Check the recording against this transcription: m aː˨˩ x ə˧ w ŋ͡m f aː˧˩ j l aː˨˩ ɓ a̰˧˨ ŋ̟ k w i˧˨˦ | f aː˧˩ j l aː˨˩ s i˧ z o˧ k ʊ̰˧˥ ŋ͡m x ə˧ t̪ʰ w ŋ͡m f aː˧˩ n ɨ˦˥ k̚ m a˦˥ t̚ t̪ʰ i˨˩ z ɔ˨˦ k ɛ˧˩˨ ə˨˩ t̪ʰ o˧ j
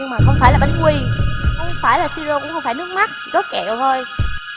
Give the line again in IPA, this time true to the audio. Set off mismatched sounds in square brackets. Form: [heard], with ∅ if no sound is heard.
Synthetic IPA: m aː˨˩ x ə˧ w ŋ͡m f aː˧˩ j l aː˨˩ ɓ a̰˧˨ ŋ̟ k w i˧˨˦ | f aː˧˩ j l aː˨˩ s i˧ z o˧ k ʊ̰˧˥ ŋ͡m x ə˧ [∅] w ŋ͡m f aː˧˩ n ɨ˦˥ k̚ m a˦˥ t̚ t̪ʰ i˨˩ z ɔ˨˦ k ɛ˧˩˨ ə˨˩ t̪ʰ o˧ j